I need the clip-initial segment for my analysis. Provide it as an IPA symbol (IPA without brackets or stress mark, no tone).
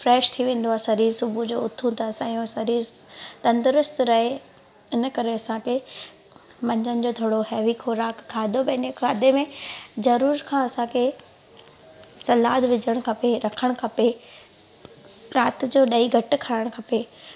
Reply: f